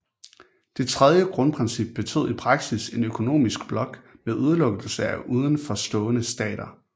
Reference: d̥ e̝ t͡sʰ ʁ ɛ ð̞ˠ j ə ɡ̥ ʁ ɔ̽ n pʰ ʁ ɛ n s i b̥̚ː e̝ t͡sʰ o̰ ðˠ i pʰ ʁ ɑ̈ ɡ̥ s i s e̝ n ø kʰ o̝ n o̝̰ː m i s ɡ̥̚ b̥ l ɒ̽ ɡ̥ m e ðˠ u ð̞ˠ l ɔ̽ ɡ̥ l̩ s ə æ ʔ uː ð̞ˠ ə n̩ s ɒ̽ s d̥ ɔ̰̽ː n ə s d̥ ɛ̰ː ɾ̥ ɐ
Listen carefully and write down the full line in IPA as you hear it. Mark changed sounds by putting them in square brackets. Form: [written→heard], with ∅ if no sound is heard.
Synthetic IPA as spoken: d̥ e̝ t͡sʰ ʁ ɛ ð̞ˠ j ə ɡ̥ ʁ ɔ̽ n pʰ ʁ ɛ n s i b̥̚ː e̝ t͡sʰ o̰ ðˠ i pʰ ʁ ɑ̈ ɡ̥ s i s e̝ n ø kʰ o̝ n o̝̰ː m i s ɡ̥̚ b̥ l ɒ̽ ɡ̥ m e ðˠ u ð̞ˠ l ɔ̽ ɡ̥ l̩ s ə æ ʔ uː ð̞ˠ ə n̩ [s→f] ɒ̽ s d̥ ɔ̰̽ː n ə s d̥ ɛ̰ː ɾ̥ ɐ